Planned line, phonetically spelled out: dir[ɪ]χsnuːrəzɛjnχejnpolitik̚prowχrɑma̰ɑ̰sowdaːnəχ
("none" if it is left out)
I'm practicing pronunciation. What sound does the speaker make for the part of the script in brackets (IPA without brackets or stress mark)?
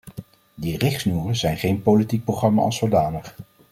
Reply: ɪ